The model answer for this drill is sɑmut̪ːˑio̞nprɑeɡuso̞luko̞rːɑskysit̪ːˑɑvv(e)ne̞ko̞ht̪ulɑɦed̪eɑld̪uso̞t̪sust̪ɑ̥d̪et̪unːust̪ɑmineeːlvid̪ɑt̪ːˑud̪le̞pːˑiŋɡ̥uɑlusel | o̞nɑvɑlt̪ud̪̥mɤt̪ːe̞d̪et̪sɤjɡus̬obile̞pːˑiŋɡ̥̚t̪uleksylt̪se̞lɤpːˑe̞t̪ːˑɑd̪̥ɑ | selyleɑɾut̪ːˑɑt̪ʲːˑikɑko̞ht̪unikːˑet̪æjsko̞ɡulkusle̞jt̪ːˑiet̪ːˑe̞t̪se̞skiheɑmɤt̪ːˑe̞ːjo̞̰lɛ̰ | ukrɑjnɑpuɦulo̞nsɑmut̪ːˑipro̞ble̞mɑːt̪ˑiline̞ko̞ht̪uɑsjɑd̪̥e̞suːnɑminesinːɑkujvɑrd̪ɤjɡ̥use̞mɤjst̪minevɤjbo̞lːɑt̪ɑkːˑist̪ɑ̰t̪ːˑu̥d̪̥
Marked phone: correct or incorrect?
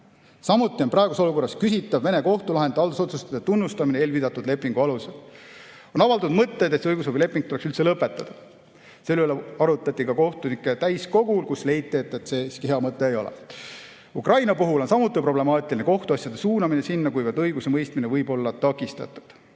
correct